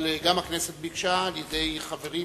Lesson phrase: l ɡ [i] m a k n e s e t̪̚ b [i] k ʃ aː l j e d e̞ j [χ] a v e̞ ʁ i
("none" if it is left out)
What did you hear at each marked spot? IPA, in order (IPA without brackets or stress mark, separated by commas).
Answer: a, i, χ